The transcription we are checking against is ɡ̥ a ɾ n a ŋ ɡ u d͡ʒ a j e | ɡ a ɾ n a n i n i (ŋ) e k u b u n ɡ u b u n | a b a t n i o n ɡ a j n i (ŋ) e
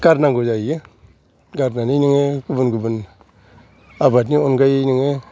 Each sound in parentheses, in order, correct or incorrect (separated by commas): correct, correct